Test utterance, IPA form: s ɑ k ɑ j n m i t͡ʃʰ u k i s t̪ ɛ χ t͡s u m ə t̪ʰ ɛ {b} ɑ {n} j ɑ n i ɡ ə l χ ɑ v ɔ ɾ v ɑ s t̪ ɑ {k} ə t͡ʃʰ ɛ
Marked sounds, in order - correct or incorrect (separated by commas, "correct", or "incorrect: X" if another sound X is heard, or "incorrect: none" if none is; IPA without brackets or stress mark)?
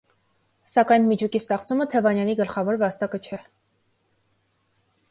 incorrect: v, correct, correct